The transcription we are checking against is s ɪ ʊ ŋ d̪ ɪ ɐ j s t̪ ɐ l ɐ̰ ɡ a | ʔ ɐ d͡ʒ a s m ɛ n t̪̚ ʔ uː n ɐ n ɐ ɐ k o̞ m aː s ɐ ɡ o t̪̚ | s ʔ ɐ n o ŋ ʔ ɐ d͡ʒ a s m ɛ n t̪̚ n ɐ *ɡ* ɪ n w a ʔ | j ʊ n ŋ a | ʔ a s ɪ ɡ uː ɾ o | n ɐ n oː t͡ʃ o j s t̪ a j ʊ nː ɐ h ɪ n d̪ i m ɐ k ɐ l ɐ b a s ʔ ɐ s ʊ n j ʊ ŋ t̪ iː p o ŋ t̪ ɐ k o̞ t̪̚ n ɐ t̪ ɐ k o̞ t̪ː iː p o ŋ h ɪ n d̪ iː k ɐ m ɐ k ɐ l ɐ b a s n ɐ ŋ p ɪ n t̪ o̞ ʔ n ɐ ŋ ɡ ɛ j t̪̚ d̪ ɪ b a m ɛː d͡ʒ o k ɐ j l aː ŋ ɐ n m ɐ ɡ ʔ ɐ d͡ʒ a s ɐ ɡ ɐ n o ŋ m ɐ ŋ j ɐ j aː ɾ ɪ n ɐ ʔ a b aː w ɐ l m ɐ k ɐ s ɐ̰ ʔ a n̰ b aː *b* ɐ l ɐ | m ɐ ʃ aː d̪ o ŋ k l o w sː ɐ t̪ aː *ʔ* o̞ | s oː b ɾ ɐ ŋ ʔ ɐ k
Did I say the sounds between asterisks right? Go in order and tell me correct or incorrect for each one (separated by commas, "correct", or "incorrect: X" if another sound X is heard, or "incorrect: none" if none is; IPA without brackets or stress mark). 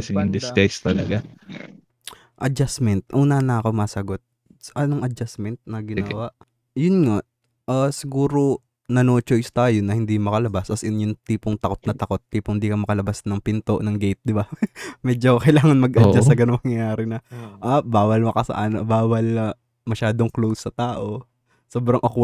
correct, incorrect: w, correct